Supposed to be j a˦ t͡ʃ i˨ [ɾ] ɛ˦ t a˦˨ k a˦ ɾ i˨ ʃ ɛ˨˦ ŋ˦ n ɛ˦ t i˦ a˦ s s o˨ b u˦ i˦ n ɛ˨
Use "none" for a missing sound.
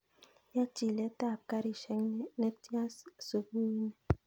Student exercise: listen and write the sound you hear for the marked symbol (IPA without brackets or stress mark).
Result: l